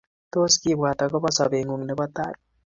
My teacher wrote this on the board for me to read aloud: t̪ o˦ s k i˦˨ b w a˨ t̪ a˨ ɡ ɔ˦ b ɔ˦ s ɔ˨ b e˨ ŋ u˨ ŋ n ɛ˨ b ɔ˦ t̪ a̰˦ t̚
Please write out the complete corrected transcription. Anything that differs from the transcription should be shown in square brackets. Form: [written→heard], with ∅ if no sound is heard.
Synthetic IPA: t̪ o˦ s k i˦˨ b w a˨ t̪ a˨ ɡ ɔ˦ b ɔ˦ s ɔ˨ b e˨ ŋ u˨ ŋ n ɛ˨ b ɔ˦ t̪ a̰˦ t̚